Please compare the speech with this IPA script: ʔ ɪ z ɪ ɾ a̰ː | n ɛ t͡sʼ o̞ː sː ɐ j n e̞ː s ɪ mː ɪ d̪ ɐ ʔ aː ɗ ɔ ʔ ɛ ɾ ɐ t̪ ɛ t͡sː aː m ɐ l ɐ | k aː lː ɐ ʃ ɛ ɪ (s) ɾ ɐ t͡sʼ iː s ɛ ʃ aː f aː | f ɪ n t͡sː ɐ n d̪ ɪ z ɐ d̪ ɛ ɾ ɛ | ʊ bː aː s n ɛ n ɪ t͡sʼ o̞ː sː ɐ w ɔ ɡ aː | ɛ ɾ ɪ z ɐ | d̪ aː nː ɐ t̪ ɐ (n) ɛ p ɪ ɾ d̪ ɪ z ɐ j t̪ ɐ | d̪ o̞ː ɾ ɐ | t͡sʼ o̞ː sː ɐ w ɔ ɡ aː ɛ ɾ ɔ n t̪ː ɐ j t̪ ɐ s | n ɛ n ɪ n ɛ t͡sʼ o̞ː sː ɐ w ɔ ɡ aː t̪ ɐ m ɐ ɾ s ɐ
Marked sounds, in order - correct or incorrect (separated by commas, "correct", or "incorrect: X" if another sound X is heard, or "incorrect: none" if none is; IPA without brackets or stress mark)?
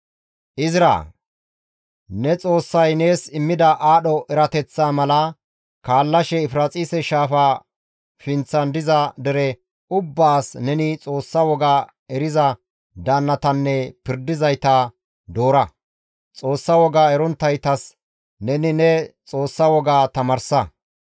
incorrect: f, incorrect: nː